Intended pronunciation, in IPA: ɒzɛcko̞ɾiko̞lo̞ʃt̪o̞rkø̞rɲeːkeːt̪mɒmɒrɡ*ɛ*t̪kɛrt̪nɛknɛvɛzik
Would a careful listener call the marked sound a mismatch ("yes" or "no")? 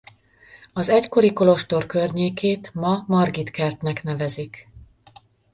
yes